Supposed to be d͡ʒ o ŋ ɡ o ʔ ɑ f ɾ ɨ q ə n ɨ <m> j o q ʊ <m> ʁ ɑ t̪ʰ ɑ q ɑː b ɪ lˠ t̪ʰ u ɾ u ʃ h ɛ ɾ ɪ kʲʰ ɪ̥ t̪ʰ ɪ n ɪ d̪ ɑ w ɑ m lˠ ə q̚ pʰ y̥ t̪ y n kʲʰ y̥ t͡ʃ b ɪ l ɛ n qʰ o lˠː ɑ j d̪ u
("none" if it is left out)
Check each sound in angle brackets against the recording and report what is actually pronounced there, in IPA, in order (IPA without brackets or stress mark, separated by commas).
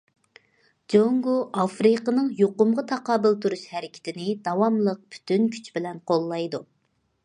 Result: ŋ, m